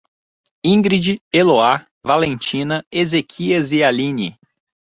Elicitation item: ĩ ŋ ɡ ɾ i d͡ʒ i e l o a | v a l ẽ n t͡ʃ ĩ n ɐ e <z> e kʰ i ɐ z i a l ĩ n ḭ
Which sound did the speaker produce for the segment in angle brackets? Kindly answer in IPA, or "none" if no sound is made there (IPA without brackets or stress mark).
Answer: z